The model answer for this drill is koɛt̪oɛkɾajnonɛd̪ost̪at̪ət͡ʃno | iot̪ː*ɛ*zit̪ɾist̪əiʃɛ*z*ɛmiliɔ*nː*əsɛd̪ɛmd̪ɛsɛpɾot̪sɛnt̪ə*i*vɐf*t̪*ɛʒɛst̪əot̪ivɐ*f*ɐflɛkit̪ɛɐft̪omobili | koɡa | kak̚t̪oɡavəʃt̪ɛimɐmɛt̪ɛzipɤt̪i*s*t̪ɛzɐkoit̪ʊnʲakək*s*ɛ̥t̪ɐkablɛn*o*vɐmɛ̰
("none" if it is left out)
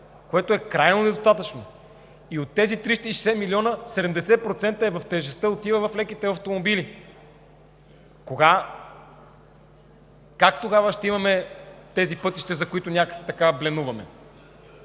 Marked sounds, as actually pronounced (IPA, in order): ɛ, s, n, ɛ, t̪, v, ʃ, s, u

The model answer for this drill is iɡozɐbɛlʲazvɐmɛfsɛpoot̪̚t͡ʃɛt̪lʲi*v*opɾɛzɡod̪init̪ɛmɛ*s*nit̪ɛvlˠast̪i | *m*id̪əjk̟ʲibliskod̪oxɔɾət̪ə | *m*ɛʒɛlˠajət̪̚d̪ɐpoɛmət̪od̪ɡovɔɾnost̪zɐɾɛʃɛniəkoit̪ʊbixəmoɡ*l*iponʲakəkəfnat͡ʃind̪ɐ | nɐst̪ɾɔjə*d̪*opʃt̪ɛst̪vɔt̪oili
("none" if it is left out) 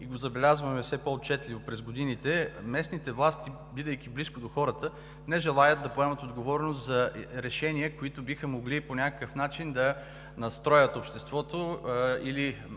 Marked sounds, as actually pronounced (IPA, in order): v, s, b, n, l, t̪

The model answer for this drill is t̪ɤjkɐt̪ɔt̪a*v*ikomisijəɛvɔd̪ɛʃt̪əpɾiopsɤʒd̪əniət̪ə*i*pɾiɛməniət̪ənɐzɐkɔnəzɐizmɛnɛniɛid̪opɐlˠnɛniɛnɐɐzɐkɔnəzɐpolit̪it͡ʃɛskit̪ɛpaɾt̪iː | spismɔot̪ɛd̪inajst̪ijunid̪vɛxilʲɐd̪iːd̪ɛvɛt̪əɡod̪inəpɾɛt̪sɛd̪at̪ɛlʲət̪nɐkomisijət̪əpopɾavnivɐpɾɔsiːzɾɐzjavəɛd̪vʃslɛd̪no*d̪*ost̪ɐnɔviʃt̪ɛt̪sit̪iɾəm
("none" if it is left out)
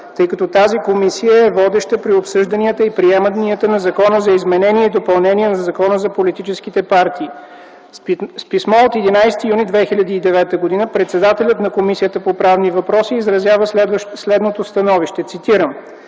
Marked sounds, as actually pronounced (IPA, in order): z, i, t̪

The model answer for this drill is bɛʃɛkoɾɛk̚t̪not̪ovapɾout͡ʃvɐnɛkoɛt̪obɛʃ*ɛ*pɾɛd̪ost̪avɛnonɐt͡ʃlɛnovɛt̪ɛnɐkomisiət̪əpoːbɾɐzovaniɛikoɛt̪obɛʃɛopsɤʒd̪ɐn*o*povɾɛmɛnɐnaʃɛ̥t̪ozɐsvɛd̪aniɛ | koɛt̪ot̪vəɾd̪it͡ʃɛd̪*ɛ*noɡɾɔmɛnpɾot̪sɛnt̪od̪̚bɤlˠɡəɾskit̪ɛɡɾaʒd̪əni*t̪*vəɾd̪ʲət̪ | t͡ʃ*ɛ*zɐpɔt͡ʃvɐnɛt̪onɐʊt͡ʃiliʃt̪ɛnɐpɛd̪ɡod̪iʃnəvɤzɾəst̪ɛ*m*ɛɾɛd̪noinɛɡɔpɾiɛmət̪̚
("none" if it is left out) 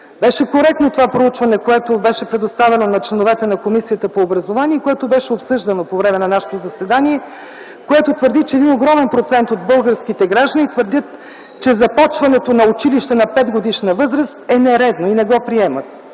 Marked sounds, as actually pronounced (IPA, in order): ɛ, o, i, t̪, ɛ, n

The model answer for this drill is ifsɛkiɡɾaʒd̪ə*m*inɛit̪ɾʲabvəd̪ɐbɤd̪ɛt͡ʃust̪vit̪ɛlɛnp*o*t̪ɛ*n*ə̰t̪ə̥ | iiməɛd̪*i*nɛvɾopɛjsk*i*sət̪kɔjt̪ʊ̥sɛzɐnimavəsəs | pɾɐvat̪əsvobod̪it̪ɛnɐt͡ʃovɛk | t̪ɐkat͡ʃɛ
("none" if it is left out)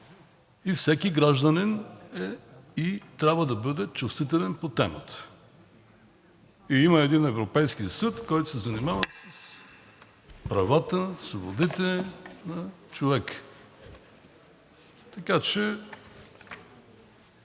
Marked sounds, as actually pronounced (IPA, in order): n, o, m, i, i

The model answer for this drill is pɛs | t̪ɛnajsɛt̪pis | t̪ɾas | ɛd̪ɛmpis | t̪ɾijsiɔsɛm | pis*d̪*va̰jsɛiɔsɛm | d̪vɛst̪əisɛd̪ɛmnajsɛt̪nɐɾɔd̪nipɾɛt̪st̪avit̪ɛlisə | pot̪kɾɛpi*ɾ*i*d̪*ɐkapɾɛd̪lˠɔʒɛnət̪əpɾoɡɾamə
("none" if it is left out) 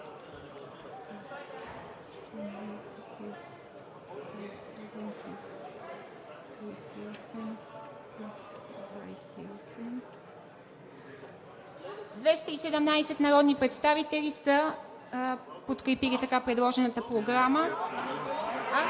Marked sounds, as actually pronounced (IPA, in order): d̪, l, t̪

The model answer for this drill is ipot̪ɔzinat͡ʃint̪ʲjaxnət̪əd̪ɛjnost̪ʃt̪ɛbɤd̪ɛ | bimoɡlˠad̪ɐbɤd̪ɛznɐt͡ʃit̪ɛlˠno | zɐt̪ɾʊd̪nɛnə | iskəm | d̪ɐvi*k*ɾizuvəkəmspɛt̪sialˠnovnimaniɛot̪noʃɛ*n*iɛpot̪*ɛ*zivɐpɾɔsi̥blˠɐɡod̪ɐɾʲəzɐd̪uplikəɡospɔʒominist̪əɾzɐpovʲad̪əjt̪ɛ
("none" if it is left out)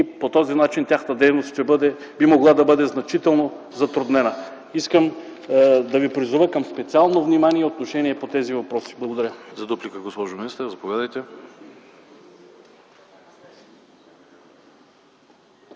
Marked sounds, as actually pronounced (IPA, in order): p, n, ɛ

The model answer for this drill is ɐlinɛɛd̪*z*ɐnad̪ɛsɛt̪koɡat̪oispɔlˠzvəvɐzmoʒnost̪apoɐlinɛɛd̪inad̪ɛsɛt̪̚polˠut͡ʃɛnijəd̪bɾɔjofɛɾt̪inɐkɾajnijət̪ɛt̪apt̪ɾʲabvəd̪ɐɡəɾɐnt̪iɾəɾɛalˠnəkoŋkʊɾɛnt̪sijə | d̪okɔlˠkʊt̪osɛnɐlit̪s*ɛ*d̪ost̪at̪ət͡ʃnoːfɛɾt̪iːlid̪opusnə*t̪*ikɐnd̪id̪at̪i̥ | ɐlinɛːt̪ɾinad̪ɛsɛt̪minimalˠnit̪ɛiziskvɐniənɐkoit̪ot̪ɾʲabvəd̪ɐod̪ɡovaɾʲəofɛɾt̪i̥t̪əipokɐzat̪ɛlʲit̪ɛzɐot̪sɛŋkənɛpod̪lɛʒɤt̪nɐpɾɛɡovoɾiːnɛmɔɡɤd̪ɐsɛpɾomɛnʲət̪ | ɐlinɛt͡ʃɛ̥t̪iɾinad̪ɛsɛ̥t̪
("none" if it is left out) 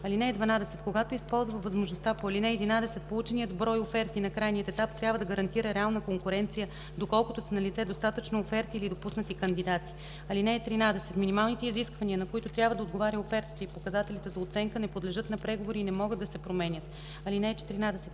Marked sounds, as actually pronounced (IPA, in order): v, ɛ, t̪

